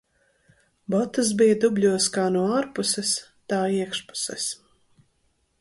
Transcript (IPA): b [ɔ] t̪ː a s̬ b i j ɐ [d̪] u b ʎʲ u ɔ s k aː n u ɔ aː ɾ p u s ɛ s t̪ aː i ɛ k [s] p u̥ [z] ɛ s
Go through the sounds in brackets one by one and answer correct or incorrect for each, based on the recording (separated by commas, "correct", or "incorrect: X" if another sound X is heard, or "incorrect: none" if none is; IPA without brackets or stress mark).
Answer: correct, correct, incorrect: ʃ, incorrect: s